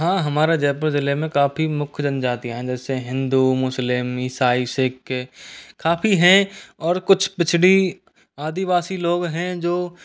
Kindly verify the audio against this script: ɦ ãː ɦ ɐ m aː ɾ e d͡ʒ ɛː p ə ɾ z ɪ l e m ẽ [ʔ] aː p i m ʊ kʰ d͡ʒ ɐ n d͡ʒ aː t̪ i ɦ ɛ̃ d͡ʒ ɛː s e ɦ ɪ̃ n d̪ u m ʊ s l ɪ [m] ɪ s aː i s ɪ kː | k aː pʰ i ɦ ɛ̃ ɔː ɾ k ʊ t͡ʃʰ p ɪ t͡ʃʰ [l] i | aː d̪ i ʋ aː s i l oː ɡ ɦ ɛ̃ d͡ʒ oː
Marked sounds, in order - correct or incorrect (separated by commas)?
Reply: incorrect, correct, incorrect